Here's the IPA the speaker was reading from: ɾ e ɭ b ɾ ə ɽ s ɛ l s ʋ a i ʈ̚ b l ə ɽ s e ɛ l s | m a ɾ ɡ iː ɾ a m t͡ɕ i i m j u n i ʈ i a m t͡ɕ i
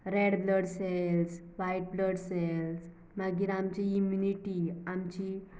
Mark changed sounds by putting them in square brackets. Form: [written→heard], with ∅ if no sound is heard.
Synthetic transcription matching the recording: ɾ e [ɭ→ɽ] b [ɾ→l] ə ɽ s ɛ l s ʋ a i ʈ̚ b l ə ɽ s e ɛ l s | m a [ɾ→∅] ɡ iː ɾ a m t͡ɕ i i m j u n i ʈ i a m t͡ɕ i

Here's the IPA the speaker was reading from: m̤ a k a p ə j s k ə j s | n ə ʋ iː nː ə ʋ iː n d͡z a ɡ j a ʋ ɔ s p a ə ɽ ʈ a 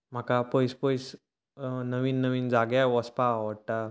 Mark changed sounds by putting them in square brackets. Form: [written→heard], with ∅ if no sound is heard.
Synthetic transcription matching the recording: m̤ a k a p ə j s [k→p] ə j s | n ə ʋ iː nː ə ʋ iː n d͡z a ɡ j a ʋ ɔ s p a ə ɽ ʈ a

